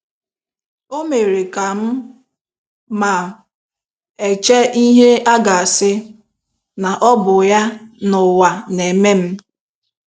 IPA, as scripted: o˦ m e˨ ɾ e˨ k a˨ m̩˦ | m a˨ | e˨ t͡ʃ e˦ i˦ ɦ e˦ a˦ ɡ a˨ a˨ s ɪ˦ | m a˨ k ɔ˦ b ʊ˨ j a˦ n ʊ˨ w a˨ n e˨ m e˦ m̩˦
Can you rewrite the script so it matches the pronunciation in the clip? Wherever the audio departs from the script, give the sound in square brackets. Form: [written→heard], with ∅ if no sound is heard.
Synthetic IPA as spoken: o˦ m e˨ ɾ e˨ k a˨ m̩˦ | m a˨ | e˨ t͡ʃ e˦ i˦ ɦ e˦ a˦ ɡ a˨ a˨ s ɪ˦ | [m→n] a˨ [k→ʔ] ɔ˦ b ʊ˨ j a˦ n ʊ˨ w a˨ n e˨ m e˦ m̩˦